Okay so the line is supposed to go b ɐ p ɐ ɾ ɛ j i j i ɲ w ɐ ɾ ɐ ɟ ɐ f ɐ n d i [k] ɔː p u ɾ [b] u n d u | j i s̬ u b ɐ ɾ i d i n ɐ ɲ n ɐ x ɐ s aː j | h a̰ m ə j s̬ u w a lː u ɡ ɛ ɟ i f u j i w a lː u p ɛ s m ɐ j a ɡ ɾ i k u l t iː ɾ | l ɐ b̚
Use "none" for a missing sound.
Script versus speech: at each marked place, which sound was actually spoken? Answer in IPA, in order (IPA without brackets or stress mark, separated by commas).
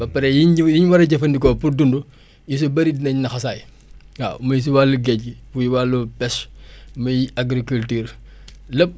k, d